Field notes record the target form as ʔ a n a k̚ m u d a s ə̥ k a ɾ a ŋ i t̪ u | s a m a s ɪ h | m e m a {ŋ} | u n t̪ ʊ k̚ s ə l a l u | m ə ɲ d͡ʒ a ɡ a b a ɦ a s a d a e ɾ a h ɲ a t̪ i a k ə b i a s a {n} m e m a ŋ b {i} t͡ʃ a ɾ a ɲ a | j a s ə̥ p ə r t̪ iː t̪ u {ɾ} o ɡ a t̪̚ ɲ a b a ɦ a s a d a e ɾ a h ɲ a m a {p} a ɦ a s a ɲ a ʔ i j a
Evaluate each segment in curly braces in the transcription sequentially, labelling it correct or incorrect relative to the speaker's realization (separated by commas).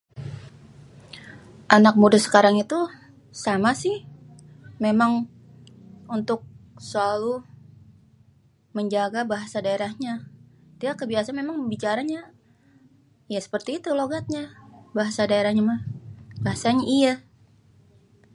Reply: correct, correct, correct, incorrect, incorrect